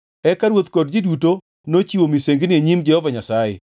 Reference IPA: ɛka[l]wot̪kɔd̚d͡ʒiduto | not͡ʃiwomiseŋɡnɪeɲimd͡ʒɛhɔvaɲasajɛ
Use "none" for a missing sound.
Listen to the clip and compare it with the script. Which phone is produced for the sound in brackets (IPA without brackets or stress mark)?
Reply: ɾ